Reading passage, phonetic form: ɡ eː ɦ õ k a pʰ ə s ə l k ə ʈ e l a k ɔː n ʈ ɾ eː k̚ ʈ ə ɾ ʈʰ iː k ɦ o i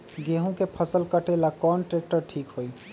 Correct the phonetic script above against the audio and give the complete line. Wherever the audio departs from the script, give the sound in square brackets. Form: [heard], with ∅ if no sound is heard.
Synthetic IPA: ɡ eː ɦ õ k [e] pʰ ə s ə l k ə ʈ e l a k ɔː n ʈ ɾ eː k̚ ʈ ə ɾ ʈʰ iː k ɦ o i